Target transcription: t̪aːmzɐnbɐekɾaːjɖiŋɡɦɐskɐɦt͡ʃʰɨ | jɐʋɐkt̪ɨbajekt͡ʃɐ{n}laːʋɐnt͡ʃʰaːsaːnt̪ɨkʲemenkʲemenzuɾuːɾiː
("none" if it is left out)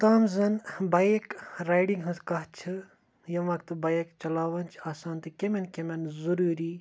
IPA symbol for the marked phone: none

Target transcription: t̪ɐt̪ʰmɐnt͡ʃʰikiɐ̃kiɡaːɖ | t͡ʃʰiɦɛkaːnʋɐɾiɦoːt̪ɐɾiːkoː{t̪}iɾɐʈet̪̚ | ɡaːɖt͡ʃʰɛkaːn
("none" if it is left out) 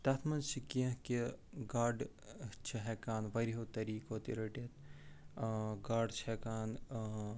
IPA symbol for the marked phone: t̪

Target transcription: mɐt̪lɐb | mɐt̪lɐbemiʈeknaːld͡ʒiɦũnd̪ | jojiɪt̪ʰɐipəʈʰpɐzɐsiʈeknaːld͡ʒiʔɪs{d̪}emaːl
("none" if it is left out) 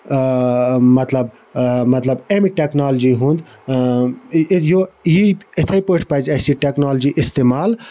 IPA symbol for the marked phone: t̪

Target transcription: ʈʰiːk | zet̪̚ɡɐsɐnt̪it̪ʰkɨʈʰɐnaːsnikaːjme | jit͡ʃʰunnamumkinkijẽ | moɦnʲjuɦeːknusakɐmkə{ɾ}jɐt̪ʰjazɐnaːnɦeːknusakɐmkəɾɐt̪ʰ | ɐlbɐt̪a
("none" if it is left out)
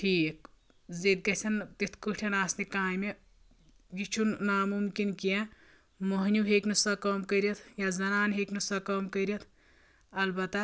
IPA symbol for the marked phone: ɾ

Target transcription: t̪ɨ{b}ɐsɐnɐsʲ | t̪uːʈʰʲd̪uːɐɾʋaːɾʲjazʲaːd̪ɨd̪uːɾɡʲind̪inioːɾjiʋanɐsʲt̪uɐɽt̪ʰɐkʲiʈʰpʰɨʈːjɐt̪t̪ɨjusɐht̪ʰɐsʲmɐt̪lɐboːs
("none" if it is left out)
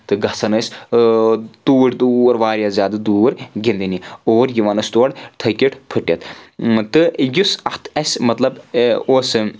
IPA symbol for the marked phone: ɡ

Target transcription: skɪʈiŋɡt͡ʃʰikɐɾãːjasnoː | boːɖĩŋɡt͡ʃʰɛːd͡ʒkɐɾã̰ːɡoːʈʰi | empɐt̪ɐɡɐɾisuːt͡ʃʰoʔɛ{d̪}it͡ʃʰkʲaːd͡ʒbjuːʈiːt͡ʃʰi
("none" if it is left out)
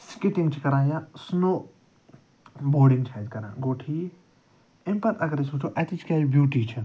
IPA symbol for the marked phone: t̪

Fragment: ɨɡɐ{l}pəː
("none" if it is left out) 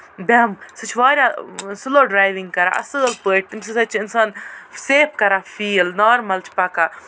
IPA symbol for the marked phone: l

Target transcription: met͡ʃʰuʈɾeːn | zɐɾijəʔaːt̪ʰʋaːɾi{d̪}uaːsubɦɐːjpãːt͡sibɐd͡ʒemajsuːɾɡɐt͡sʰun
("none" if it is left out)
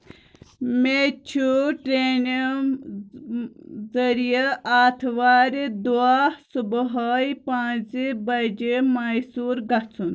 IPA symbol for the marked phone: d̪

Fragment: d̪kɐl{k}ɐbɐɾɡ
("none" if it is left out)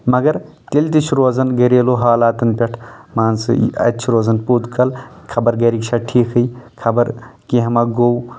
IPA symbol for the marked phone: kʰ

